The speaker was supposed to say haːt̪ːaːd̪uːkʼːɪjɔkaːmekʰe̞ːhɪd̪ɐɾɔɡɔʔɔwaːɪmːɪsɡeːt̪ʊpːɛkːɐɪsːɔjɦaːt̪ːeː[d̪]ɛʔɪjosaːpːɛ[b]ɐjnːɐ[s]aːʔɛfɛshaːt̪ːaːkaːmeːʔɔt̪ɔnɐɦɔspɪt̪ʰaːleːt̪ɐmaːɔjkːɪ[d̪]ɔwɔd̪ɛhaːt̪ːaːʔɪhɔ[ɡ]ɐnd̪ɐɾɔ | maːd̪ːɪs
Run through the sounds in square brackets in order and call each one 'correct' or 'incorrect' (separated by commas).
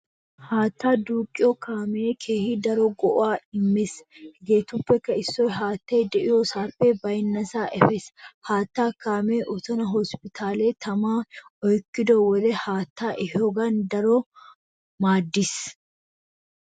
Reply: correct, correct, correct, correct, correct